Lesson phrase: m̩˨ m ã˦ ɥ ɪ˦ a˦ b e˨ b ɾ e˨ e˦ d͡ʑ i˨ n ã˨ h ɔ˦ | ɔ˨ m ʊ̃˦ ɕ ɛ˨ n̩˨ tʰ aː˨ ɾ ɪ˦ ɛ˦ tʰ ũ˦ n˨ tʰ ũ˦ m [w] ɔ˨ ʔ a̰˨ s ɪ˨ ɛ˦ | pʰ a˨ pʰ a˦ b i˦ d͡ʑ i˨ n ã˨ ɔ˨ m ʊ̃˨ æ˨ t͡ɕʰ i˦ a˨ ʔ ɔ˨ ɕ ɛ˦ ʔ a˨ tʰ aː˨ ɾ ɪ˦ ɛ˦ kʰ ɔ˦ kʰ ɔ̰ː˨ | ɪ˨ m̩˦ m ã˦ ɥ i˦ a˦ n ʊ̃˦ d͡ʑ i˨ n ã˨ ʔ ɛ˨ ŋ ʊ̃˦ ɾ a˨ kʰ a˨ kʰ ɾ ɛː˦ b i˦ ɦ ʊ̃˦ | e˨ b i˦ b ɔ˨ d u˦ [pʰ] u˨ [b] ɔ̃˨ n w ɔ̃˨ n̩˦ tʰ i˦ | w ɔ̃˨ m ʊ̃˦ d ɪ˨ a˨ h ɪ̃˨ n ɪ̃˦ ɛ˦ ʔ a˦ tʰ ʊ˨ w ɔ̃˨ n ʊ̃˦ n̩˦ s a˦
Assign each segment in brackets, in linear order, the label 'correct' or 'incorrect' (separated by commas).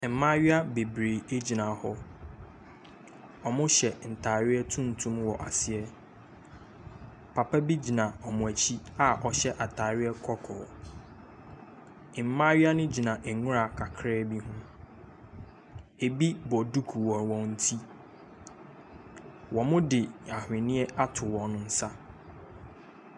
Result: correct, incorrect, incorrect